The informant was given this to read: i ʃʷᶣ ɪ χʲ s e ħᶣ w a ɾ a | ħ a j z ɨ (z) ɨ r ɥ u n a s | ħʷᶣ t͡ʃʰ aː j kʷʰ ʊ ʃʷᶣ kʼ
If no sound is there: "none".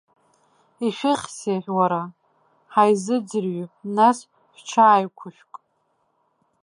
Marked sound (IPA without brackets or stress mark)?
d͡z